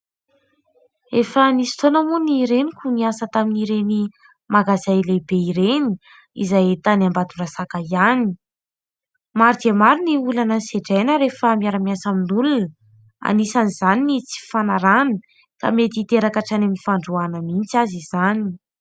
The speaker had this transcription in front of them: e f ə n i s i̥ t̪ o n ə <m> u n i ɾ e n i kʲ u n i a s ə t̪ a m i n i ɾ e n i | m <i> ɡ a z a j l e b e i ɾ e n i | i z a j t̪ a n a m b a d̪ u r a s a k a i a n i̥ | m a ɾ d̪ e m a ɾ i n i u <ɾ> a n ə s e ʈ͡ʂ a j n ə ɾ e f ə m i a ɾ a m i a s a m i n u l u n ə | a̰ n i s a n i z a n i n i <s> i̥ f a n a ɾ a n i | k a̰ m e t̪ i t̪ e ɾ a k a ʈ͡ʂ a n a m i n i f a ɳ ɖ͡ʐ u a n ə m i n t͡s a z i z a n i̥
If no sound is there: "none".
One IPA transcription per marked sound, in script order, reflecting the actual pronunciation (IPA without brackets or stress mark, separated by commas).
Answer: m, a, l, t͡s